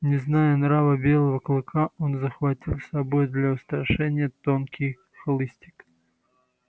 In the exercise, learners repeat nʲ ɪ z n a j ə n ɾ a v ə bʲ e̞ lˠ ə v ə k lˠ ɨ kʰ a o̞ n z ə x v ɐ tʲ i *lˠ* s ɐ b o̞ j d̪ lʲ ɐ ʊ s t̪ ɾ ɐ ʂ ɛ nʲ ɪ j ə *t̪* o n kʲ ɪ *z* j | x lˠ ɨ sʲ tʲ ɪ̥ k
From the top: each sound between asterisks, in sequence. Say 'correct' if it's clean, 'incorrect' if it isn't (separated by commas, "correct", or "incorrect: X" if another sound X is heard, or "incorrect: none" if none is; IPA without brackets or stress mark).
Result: correct, correct, incorrect: none